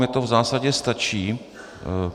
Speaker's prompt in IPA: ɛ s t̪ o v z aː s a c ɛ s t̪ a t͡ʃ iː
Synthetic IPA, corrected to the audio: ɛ t̪ o v z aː s a ɟ ɛ s t̪ a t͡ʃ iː